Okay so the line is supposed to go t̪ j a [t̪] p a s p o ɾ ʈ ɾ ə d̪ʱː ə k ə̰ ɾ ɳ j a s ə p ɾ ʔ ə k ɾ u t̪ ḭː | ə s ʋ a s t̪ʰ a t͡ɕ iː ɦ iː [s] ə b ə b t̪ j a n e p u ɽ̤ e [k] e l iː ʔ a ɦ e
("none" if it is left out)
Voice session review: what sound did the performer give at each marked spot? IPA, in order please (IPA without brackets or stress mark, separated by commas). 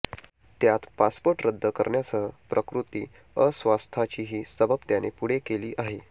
t̪, s, k